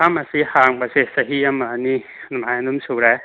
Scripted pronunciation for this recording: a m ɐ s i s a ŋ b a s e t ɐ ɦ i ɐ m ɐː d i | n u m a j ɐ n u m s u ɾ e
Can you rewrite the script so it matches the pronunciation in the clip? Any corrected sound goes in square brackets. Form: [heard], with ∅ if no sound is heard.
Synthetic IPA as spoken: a m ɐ s i [h] a ŋ b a s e [s] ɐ ɦ i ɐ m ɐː [n] i | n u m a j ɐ n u m s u ɾ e